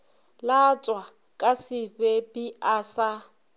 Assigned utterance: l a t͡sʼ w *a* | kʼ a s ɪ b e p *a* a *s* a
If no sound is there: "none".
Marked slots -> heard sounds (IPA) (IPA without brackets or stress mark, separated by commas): a, i, s